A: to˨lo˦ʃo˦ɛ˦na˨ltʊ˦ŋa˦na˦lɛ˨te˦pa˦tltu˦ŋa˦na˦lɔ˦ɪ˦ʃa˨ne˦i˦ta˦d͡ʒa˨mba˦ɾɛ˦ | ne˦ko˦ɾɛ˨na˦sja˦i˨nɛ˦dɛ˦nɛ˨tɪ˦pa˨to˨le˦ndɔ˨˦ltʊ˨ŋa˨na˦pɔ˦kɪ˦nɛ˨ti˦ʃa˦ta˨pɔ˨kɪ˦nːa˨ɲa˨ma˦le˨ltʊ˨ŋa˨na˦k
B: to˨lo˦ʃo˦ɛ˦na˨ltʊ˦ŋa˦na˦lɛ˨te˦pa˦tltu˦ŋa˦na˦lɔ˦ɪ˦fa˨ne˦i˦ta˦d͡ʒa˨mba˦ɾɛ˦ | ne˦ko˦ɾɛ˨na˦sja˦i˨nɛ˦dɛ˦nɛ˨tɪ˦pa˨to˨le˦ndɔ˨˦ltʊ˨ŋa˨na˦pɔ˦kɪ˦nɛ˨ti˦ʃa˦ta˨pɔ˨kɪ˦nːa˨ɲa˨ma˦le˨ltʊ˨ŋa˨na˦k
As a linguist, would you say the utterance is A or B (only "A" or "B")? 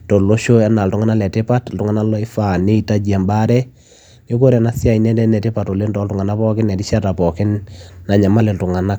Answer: B